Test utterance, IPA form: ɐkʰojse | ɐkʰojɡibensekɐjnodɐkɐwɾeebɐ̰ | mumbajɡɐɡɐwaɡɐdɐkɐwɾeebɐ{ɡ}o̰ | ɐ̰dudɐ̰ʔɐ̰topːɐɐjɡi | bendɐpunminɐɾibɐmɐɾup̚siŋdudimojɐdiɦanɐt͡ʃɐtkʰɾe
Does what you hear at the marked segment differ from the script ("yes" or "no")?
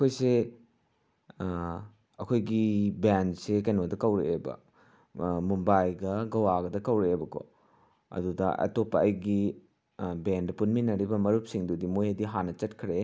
yes